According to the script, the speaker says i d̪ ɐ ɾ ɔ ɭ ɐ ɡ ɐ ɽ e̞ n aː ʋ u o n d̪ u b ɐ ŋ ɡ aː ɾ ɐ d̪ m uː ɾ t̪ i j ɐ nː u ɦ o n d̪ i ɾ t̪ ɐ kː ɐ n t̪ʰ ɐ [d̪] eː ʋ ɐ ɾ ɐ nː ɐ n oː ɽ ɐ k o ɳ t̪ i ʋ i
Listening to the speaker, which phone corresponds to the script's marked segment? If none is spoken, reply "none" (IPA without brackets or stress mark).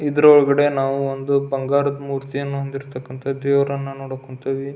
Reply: d̪